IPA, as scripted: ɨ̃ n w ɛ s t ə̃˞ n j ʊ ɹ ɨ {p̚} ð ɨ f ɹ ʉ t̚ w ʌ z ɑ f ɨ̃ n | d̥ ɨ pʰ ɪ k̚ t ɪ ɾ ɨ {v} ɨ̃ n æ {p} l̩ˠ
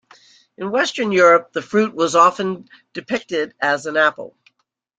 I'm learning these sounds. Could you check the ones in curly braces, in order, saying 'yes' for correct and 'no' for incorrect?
yes, no, yes

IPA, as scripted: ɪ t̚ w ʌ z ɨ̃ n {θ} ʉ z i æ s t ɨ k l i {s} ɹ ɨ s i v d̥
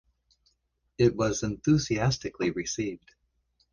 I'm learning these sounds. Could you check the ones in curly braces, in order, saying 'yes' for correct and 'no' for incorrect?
yes, no

